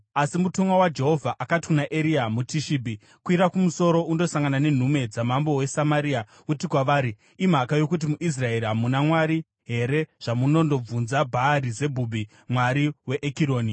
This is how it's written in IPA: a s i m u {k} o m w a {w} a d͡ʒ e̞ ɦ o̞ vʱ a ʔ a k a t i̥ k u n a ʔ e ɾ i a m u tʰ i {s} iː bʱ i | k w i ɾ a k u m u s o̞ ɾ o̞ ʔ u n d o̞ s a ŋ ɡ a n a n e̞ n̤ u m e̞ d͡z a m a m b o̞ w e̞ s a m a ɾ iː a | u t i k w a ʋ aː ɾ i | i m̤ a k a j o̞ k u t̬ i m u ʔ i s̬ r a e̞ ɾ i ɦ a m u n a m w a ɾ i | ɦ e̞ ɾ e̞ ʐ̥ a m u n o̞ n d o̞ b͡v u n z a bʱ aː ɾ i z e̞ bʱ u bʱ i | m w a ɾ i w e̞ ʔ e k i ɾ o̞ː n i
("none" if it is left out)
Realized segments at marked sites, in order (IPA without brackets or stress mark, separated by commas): t, w, ʃ